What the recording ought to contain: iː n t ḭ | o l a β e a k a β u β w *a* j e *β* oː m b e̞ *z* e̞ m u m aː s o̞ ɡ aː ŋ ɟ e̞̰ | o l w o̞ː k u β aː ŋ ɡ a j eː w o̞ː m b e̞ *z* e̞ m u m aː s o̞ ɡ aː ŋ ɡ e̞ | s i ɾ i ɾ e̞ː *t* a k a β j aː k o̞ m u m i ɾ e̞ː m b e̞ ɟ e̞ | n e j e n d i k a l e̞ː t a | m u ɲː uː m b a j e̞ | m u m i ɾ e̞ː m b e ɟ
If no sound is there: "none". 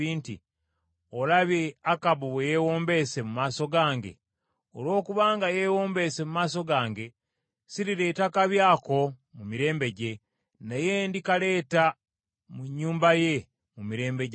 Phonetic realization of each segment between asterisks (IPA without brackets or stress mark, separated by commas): e, w, s, s, t